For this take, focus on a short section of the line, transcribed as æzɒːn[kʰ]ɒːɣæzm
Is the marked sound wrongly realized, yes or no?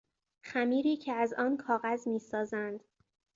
no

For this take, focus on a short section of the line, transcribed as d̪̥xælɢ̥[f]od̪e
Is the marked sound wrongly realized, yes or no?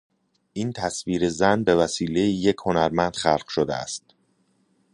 yes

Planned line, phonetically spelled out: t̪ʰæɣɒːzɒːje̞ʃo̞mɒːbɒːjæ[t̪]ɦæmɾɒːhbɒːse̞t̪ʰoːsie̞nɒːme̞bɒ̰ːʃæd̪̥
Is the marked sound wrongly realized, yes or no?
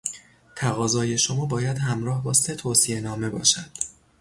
yes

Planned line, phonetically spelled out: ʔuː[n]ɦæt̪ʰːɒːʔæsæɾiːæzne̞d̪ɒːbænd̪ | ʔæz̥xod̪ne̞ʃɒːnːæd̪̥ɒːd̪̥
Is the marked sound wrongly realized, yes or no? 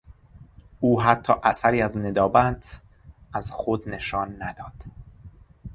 yes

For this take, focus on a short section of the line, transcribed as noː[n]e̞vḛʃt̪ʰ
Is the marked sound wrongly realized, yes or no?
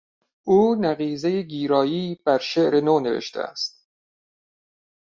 no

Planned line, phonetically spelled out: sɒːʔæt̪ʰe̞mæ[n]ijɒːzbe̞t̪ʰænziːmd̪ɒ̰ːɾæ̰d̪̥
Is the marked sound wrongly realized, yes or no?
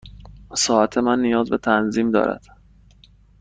yes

